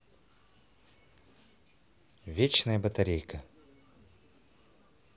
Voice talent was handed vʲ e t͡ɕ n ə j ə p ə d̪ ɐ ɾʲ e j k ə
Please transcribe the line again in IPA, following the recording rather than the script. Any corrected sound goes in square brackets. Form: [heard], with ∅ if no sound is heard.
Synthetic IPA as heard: vʲ e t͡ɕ n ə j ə [b] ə [t̪] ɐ ɾʲ e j k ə